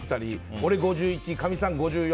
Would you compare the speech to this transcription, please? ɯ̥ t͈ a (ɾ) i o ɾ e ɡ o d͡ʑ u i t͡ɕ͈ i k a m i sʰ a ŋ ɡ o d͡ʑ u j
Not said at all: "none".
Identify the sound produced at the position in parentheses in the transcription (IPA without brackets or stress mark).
ɾ